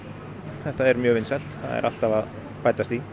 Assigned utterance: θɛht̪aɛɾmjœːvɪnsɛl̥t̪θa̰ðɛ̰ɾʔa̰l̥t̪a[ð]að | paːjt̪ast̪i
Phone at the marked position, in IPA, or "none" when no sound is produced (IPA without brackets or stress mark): v